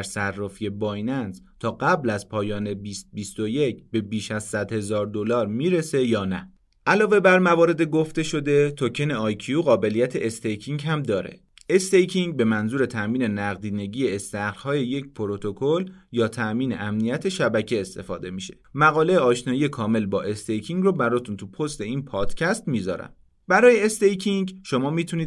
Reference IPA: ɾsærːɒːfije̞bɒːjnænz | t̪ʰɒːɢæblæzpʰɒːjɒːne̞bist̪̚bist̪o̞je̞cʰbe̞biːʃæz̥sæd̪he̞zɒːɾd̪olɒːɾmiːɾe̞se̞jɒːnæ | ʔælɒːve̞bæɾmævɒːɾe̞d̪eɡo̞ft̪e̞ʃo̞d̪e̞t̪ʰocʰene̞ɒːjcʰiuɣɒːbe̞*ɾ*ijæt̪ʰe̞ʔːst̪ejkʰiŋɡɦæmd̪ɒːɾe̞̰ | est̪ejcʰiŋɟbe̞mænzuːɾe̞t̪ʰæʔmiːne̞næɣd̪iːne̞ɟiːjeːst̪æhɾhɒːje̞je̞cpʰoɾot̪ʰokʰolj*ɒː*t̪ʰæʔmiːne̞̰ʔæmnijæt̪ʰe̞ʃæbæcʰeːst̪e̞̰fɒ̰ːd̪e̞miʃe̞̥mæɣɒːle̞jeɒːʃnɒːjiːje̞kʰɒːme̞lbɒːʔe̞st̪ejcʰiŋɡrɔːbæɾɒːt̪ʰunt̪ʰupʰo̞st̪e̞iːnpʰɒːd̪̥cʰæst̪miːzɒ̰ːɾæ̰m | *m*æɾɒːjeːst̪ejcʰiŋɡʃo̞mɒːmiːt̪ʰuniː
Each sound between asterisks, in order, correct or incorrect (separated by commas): incorrect, correct, incorrect